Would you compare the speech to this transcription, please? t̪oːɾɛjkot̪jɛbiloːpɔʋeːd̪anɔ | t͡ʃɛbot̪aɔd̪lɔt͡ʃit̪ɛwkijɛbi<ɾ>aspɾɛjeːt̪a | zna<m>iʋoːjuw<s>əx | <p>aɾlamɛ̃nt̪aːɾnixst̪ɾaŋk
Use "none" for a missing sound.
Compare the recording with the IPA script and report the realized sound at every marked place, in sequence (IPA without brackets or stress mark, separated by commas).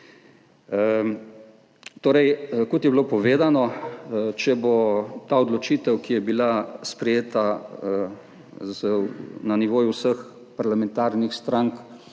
l, n, s, p